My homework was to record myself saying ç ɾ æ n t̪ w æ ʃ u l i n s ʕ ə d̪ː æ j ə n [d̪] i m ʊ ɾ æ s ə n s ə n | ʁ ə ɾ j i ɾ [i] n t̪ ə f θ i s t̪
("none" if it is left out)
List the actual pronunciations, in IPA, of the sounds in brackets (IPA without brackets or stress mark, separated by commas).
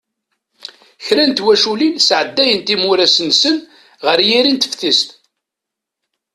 t̪, i